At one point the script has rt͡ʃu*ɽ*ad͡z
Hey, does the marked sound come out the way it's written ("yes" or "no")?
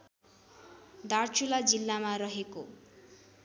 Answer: no